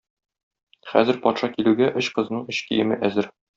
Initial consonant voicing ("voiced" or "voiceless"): voiceless